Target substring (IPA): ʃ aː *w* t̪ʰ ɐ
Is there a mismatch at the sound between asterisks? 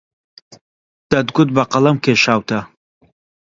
no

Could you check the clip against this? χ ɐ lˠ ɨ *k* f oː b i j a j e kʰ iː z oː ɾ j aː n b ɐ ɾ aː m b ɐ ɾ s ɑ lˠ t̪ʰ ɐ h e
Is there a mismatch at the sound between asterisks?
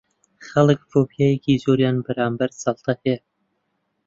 no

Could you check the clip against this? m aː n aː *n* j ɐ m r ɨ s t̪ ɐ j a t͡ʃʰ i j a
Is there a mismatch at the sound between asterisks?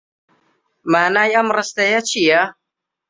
yes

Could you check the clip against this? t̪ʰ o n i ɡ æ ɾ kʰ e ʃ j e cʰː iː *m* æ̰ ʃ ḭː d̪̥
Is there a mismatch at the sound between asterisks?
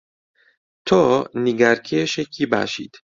yes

